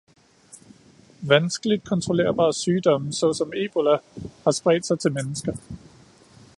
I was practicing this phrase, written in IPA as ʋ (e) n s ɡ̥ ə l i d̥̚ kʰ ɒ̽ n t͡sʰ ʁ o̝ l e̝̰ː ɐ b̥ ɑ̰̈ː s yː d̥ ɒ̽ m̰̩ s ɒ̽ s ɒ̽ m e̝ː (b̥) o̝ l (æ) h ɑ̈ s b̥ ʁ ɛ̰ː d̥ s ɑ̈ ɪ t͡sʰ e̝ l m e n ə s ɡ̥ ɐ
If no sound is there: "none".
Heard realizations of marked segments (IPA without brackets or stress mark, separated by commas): æ, b̥, æ